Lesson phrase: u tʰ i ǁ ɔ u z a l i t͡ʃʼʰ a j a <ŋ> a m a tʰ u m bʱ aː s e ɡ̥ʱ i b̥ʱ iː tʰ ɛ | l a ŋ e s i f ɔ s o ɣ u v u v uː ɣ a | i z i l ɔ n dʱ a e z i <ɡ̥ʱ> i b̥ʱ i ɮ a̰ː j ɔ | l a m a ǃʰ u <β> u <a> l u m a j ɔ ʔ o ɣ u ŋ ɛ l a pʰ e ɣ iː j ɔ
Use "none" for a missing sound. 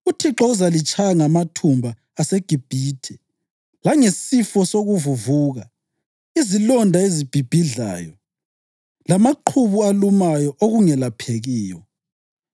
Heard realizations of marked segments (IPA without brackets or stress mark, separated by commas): ŋ, b̥ʱ, β, a